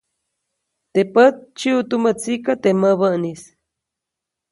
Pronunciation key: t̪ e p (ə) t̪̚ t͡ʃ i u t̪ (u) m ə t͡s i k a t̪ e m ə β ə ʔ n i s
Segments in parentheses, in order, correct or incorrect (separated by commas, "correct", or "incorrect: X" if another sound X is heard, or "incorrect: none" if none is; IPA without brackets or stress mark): correct, correct